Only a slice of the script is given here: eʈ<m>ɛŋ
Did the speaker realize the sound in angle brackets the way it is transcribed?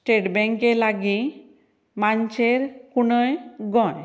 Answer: no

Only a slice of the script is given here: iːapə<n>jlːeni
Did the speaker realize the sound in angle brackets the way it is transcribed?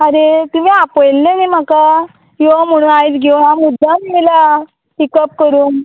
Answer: no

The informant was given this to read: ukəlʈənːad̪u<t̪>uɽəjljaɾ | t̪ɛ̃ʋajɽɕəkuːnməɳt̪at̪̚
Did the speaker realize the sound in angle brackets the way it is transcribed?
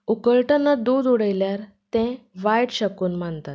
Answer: no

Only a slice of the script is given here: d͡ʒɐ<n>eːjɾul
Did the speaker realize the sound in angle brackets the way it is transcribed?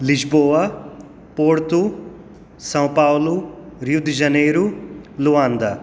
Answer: yes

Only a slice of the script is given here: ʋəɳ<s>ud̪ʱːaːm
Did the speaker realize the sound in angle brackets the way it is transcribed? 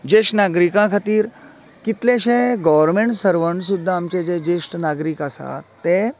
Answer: yes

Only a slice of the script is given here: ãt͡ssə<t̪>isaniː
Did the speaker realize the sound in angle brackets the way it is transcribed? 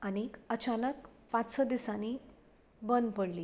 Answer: no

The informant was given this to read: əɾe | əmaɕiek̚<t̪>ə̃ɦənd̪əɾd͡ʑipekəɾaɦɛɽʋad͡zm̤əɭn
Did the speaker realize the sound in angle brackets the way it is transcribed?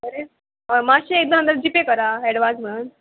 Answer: no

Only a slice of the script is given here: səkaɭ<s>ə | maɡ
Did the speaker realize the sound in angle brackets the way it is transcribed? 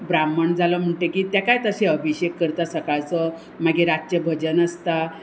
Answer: no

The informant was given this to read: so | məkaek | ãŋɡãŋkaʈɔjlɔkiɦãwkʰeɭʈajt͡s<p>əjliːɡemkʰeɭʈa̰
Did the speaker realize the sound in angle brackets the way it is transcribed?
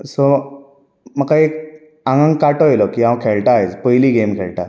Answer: yes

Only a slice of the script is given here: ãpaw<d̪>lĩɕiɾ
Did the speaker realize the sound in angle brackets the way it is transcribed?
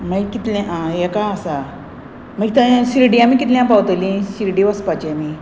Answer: no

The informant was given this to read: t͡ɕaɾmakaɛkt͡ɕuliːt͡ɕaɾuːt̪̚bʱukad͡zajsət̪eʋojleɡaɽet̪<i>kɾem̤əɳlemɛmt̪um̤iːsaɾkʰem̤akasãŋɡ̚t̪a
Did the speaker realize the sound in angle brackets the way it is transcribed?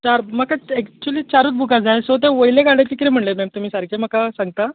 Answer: yes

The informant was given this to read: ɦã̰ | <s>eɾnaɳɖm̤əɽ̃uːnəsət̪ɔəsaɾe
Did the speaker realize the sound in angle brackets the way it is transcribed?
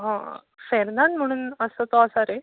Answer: no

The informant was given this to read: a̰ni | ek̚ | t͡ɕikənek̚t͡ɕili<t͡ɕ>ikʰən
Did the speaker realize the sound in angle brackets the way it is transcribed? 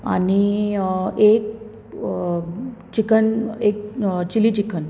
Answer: yes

